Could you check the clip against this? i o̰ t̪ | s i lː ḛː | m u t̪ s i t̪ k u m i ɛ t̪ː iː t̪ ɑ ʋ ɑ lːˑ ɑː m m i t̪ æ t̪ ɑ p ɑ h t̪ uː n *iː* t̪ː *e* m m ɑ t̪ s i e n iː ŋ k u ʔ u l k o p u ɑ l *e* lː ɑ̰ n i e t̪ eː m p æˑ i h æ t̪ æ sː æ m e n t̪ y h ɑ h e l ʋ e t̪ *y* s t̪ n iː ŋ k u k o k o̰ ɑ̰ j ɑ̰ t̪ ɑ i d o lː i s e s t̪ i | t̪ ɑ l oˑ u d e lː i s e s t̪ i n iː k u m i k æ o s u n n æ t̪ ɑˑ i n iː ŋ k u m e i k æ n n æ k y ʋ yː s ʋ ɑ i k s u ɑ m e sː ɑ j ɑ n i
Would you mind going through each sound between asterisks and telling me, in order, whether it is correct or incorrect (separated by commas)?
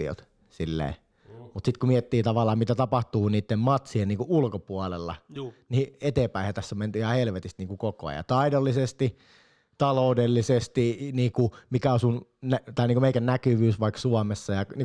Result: correct, correct, correct, incorrect